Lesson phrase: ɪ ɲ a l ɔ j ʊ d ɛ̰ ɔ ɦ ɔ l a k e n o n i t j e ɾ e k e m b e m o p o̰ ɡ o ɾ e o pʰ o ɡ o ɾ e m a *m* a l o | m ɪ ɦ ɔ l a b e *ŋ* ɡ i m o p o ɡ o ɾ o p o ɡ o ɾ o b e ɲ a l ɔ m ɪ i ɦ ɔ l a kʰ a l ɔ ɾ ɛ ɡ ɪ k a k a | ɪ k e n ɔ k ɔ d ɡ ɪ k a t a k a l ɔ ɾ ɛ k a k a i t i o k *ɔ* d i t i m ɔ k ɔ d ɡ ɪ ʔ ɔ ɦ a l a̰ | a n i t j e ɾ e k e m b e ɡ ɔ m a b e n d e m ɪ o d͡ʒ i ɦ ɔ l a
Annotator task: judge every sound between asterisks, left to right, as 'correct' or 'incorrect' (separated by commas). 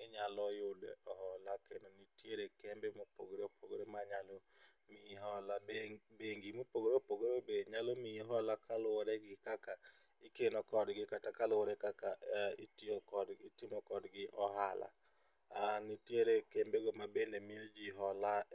incorrect, correct, correct